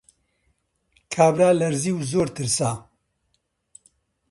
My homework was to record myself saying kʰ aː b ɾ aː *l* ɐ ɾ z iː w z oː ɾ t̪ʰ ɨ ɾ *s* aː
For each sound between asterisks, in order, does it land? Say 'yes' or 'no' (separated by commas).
yes, yes